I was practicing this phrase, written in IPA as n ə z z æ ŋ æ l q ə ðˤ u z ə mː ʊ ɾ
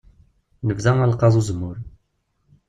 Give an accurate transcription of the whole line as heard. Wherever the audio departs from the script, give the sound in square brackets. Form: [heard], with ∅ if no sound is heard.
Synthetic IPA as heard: n ə [v] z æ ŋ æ l q [ɑ] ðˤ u z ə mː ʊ ɾ